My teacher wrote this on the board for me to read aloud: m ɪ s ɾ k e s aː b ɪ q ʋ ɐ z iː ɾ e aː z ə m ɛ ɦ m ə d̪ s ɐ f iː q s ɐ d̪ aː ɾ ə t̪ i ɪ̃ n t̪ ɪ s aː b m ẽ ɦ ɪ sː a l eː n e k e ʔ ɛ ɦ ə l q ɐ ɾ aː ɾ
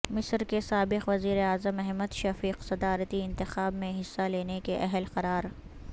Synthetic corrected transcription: m ɪ s ɾ k e s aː b ɪ q ʋ ɐ z iː ɾ e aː z ə m ɛ ɦ m ə d̪ ʃ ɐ f iː q s ɐ d̪ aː ɾ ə t̪ i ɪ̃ n t̪ ɪ x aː b m ẽ ɦ ɪ sː a l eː n e k e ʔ ɛ ɦ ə l q ɐ ɾ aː ɾ